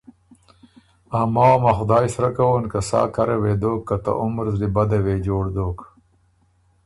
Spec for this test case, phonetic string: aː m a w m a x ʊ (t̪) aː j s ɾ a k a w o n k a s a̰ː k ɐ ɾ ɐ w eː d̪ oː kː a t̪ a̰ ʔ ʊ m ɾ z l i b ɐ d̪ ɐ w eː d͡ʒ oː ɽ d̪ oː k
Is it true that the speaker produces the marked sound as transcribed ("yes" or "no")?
no